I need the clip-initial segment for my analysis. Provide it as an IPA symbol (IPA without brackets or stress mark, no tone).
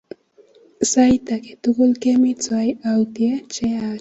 s